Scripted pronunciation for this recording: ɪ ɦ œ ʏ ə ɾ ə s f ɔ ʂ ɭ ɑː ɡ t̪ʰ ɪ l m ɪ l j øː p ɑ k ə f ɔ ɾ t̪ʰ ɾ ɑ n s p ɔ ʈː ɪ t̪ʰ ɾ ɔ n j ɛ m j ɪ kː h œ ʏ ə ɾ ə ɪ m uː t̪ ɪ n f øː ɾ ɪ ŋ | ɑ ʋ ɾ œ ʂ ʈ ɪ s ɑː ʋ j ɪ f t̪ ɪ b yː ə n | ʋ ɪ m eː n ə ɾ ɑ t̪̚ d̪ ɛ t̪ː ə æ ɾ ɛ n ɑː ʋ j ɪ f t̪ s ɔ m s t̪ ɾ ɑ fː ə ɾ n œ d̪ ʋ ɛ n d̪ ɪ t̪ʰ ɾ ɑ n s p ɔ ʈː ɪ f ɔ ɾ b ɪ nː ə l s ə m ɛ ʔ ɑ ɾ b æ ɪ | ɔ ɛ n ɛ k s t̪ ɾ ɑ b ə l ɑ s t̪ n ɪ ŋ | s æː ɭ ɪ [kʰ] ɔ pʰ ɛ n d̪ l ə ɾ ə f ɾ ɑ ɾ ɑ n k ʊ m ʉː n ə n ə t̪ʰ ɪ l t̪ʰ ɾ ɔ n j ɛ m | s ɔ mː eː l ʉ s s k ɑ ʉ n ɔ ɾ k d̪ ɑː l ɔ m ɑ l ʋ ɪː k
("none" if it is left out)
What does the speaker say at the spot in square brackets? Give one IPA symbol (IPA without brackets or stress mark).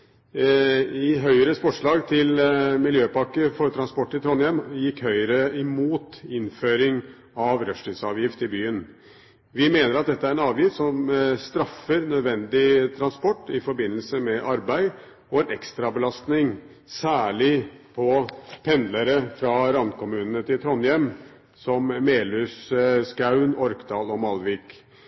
pʰ